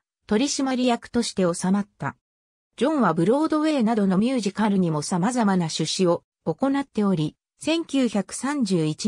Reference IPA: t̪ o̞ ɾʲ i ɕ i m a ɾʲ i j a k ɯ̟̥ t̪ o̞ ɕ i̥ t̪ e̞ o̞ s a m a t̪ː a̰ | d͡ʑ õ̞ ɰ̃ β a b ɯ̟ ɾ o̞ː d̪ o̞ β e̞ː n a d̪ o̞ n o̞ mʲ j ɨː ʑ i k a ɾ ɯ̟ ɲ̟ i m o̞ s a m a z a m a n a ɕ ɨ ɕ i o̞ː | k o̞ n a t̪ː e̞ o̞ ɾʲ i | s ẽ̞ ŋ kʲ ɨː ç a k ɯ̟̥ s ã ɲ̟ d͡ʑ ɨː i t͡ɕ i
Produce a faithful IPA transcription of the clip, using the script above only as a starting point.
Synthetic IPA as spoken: t̪ o̞ ɾʲ i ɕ i m a ɾʲ i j a k ɯ̟̥ t̪ o̞ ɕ i̥ t̪ e̞ o̞ s a m a t̪ː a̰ | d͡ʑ õ̞ ɰ̃ β a b ɯ̟ ɾ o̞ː d̪ o̞ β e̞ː n a d̪ o̞ n o̞ mʲ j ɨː ʑ i k a ɾ ɯ̟ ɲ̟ i m o̞ s a m a z a m a n a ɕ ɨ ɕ i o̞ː | k o̞ n a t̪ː e̞ o̞ ɾʲ i | s ẽ̞ ŋ kʲ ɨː ç a k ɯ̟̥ s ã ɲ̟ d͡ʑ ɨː i t͡ɕ i